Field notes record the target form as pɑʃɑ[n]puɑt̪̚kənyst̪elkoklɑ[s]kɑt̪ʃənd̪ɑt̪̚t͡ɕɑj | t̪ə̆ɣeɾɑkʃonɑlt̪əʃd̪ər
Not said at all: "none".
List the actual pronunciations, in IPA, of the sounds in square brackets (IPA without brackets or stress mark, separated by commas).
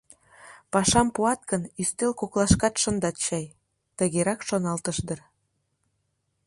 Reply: m, ʃ